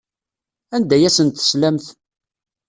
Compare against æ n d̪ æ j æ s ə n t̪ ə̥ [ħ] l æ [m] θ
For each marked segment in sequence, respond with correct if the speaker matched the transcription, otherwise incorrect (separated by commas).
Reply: incorrect, correct